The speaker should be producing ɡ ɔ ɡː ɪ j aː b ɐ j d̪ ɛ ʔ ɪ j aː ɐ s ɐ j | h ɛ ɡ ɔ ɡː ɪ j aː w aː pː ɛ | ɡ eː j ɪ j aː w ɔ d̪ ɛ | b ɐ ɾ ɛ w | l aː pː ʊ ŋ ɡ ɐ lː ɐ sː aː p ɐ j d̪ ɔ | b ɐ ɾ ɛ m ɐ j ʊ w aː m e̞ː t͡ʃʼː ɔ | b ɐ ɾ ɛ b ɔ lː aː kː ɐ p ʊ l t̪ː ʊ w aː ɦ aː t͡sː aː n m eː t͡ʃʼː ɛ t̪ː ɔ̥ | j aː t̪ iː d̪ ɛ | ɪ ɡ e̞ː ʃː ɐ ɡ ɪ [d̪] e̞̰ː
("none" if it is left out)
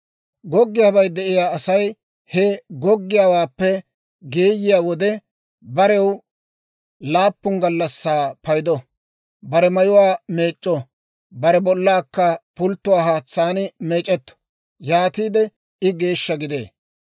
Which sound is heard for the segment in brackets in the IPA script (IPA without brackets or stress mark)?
d̪